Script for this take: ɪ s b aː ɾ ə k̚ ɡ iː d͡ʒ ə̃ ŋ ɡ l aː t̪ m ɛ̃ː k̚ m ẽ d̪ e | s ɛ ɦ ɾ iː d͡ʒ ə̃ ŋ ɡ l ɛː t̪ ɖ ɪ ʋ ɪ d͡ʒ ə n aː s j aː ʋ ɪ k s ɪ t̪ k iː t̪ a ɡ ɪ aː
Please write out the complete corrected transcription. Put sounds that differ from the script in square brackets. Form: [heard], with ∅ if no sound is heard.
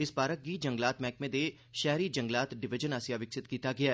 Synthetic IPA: ɪ s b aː ɾ ə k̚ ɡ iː d͡ʒ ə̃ ŋ ɡ l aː t̪ m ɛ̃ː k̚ m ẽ d̪ e | [ʃ] ɛ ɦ ɾ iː d͡ʒ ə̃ ŋ ɡ l [aː] t̪ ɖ ɪ ʋ ɪ d͡ʒ ə n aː s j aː ʋ ɪ k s ɪ t̪ k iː t̪ a ɡ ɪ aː